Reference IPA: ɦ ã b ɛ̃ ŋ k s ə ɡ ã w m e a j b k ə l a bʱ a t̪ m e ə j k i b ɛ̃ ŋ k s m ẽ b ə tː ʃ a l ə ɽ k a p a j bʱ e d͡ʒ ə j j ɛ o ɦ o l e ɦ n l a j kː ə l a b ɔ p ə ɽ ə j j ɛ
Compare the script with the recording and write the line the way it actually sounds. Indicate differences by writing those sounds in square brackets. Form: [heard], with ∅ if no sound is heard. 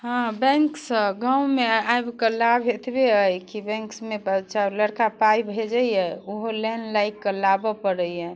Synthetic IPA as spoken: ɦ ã b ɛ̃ ŋ k s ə ɡ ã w m e a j b k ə l a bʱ [e] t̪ [b] e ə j k i b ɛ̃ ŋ k s m [e] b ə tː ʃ a l ə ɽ k a p a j bʱ e d͡ʒ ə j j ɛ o ɦ o l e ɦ n l a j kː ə l a b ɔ p ə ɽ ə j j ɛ